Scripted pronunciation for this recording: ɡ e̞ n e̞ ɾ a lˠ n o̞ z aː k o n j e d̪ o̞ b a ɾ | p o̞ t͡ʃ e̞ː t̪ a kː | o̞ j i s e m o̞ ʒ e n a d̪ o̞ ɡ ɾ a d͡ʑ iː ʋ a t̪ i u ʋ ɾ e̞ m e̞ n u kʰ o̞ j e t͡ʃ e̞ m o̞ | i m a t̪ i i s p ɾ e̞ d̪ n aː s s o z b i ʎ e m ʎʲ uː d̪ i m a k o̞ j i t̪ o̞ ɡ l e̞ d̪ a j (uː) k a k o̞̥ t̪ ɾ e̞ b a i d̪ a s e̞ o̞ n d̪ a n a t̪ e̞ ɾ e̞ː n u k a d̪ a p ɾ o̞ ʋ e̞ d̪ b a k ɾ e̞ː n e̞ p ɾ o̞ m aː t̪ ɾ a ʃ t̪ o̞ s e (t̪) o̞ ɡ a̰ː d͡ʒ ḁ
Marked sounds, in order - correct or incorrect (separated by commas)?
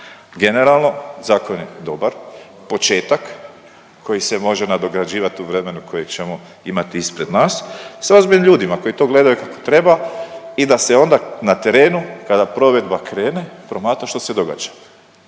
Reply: incorrect, incorrect